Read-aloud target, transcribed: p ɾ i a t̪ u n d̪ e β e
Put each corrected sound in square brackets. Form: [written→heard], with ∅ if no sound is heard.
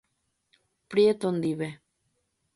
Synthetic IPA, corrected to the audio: p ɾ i [a→e] t̪ [u→o] n d̪ [e→i] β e